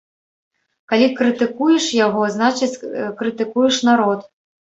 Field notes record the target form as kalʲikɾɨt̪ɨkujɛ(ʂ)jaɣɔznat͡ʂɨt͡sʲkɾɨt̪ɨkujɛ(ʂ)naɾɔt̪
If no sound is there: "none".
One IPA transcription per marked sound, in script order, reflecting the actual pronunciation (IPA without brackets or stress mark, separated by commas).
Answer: ʂ, ʂ